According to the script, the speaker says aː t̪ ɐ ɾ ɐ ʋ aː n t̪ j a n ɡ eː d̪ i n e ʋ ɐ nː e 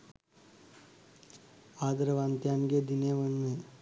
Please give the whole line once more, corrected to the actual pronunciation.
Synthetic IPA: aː d̪ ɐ ɾ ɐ ʋ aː n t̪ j a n ɡ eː d̪ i n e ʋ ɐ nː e